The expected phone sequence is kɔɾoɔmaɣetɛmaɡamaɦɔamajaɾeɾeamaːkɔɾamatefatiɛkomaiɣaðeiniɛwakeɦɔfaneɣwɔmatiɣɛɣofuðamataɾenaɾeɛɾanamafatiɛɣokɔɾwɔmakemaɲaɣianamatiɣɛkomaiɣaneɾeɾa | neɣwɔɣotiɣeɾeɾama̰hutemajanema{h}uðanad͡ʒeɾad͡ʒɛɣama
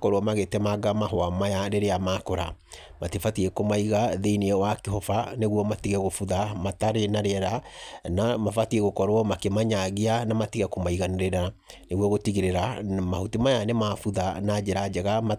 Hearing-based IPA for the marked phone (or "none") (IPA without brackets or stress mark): f